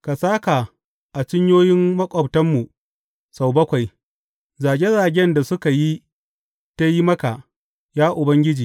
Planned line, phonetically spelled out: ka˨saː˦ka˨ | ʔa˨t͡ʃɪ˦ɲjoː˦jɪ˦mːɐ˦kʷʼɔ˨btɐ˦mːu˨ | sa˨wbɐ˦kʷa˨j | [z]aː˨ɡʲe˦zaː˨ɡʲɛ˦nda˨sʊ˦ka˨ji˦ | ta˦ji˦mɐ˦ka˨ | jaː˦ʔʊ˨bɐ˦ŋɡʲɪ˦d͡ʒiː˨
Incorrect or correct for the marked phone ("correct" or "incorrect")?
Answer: correct